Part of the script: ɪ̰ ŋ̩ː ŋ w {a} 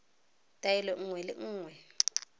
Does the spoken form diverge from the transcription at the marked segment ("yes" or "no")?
yes